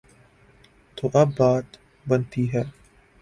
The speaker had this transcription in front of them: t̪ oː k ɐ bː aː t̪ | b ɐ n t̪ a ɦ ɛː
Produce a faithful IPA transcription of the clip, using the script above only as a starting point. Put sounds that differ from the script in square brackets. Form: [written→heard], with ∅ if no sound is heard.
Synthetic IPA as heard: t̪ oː [k→ʔ] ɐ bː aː t̪ | b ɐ n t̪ [a→i] ɦ ɛː